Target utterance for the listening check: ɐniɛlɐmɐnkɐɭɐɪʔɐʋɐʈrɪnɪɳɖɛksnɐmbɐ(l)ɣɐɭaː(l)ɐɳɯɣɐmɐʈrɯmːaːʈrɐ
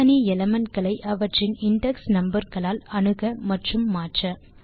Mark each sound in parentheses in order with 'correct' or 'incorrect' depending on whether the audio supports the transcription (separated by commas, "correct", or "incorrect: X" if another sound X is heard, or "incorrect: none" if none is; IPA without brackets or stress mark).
incorrect: ɾ, correct